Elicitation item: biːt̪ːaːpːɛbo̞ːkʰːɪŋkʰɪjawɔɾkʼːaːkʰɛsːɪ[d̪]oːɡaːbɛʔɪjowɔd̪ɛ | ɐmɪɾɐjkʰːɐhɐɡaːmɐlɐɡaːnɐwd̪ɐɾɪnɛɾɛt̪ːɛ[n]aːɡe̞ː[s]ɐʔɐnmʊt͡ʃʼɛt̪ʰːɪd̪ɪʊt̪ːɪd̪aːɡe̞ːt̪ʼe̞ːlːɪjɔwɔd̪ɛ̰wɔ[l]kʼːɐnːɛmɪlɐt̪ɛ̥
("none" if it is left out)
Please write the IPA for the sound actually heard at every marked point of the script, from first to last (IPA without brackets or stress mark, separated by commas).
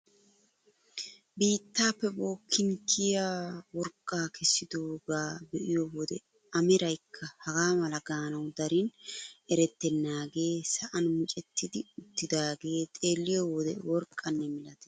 d̪, nː, s, ɾ